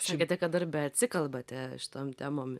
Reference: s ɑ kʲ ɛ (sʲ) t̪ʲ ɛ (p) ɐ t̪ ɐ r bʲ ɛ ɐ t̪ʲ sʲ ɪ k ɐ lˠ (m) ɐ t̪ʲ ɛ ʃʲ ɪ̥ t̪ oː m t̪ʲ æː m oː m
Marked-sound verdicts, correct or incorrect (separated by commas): incorrect, incorrect, incorrect